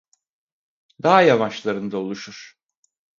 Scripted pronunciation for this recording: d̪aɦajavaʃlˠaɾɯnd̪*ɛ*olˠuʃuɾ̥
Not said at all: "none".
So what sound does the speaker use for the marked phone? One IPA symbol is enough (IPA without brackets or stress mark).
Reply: a